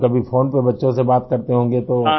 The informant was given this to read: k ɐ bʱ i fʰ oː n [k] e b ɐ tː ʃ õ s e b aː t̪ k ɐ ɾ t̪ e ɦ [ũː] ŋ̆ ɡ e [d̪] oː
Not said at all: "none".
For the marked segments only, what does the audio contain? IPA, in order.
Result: p, õː, t̪

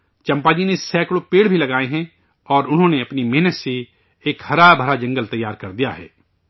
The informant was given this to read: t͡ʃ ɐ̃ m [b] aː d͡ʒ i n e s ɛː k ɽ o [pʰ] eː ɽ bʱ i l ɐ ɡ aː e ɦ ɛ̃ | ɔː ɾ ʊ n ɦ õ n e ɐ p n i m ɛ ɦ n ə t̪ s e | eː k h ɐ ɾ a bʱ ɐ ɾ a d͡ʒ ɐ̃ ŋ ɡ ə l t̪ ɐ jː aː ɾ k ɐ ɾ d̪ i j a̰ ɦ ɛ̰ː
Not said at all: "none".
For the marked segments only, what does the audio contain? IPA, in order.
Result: p, p

